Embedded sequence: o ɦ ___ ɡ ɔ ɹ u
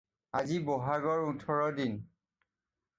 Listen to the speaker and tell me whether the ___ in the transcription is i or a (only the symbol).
a